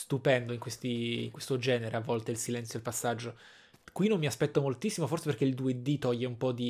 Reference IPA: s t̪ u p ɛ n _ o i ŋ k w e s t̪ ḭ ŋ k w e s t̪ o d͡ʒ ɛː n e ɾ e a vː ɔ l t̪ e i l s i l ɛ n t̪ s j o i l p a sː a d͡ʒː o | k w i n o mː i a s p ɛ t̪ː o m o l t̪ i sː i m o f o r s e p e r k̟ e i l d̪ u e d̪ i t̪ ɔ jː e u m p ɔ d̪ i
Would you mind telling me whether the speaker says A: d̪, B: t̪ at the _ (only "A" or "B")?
A